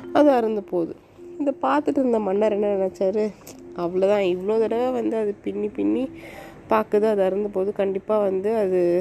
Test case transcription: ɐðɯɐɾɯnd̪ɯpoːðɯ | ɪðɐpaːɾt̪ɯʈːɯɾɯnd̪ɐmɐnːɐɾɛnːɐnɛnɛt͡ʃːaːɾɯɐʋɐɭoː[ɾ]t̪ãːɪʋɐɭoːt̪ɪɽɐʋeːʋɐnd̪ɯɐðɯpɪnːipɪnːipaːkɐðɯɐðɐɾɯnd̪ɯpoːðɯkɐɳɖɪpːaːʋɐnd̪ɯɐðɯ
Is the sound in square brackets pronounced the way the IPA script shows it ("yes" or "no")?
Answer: no